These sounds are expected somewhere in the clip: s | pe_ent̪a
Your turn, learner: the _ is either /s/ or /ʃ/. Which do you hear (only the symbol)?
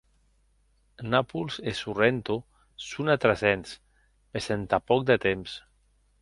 s